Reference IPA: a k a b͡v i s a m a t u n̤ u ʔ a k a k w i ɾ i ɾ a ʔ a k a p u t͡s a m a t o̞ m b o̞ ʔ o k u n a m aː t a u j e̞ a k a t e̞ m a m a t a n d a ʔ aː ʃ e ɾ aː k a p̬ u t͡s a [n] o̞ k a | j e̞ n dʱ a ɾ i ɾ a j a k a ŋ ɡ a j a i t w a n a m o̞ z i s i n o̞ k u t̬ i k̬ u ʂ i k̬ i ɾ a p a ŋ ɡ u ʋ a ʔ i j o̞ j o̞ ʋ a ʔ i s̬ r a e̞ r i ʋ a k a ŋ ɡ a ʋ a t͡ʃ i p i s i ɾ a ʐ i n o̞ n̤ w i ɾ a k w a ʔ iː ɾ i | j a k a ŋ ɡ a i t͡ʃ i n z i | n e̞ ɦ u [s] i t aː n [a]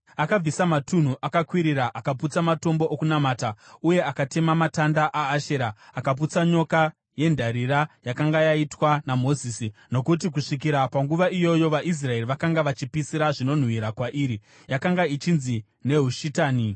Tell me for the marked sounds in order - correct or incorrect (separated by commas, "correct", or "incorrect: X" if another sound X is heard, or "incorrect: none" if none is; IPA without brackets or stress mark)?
incorrect: ɲ, incorrect: ʃ, incorrect: i